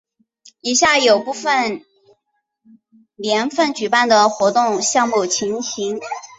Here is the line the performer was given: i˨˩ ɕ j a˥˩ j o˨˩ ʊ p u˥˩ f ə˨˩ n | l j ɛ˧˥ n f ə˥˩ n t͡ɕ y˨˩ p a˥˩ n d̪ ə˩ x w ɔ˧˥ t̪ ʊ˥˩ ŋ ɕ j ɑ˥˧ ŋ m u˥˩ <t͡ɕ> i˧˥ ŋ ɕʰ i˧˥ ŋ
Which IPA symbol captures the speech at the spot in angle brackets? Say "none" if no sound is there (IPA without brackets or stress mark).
t͡ɕʰ